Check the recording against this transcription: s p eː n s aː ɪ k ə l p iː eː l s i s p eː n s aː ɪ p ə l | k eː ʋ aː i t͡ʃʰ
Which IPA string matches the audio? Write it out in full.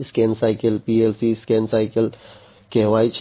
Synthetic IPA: s k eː n s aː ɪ k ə l p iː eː l s i s k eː n s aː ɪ k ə l | k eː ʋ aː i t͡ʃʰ